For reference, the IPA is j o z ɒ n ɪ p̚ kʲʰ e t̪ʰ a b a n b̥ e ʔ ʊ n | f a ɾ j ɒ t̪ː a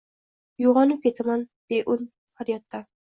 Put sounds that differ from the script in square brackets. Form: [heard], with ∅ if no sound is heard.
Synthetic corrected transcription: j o [ʁ] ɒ n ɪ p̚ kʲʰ e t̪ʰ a [m] a n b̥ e ʔ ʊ n | f a ɾ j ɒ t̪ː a